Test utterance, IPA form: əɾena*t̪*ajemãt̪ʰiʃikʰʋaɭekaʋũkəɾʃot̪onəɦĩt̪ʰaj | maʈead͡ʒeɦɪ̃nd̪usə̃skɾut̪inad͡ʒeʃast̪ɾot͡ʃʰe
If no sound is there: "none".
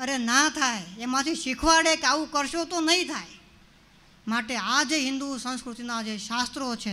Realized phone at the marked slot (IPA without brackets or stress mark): t̪ʰ